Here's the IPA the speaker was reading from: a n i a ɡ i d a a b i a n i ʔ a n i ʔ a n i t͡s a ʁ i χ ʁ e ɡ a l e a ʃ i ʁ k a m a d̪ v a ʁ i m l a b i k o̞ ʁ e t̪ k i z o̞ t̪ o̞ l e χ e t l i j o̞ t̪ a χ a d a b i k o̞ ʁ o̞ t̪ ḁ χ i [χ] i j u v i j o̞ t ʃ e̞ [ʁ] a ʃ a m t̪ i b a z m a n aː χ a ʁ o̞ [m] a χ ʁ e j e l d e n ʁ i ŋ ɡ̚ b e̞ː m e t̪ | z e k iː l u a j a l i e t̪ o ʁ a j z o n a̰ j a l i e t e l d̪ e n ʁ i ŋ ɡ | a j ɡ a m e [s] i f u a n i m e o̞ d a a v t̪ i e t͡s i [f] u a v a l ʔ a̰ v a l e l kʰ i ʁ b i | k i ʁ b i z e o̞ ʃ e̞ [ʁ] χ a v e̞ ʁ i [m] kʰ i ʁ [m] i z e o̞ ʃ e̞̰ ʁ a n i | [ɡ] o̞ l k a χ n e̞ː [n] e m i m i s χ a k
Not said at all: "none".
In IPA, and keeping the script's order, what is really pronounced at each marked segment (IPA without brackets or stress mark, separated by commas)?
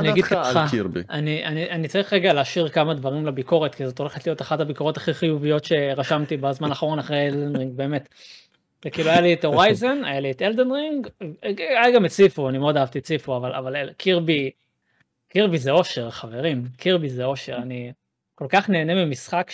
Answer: χ, ʁ, n, t͡s, f, ʁ, m, b, k, n